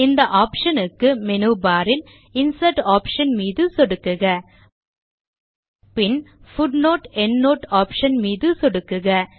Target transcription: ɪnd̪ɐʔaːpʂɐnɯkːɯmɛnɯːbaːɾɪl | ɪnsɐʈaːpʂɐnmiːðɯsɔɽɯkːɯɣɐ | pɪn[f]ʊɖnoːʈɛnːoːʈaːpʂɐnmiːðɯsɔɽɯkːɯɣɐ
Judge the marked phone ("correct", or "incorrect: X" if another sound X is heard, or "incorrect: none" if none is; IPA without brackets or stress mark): correct